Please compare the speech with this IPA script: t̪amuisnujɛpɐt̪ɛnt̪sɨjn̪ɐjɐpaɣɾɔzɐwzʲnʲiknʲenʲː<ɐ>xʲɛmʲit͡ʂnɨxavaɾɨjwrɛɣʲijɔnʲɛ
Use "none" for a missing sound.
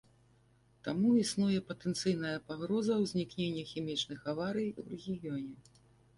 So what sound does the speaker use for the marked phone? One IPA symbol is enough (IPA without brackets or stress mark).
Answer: ɐ